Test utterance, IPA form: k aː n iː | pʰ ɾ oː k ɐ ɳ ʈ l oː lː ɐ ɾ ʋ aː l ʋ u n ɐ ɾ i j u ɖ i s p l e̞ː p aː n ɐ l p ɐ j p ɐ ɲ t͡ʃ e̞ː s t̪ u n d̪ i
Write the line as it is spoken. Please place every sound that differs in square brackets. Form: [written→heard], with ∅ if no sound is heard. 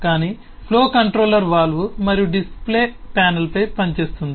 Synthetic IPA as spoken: k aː n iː | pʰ [ɾ→l] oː k ɐ ɳ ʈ [l→ɾ] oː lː ɐ ɾ ʋ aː l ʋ u [n→m] ɐ ɾ i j u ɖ i s p l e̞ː p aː n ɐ l p ɐ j p ɐ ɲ t͡ʃ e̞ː s t̪ u n d̪ i